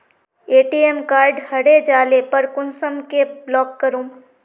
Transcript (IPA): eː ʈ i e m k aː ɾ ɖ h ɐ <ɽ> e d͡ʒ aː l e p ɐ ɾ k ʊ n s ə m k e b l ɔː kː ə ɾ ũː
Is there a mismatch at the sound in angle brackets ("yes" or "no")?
no